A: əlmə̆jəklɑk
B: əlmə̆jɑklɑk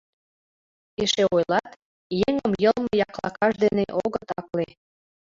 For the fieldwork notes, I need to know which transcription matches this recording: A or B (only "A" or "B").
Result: B